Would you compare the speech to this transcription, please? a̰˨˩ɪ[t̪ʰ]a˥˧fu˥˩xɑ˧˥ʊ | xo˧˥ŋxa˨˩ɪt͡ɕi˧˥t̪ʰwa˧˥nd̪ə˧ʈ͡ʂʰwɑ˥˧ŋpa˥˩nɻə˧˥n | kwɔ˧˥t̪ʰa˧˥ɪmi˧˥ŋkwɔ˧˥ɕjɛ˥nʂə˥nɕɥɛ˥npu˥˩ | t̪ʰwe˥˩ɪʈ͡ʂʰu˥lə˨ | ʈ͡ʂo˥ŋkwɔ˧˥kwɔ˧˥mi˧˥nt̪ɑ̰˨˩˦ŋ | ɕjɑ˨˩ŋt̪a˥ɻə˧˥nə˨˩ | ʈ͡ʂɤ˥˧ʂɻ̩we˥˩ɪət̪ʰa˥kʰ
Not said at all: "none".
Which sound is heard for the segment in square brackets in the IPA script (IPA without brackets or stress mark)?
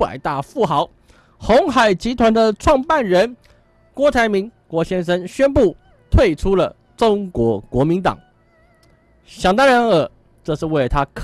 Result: t̪